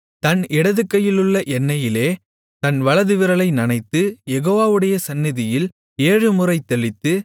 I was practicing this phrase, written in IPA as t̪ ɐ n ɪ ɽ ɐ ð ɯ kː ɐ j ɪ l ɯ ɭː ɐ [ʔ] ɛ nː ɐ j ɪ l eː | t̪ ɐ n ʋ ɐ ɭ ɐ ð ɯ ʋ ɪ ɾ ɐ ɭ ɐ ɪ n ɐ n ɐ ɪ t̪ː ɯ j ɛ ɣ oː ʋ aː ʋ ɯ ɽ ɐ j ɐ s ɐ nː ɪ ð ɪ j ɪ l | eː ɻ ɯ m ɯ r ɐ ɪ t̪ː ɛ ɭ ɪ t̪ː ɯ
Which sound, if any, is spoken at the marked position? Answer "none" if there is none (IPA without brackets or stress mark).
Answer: ʔ